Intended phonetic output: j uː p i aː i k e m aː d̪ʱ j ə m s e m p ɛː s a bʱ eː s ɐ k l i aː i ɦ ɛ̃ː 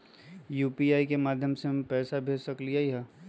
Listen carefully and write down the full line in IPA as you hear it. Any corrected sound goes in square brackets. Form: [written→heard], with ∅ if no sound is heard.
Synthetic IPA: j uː p i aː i k e m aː d̪ʱ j ə m s e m p ɛː s a bʱ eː s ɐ k l i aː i ɦ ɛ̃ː